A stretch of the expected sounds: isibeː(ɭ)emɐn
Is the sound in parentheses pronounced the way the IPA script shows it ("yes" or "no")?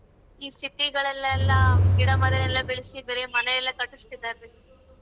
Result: no